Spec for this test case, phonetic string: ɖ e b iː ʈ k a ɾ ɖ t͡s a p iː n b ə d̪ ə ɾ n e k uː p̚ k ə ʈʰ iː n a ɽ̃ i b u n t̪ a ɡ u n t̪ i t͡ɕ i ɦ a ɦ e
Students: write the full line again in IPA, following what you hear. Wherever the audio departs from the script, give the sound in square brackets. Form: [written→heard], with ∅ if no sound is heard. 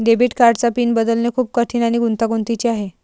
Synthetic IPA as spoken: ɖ e b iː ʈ k a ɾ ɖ t͡s a p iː n b ə d̪ ə [ɾ→l] n e [k→kʰ] uː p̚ k ə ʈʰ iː n a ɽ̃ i [b→ɡ] u n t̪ a ɡ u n t̪ i t͡ɕ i [ɦ→∅] a ɦ e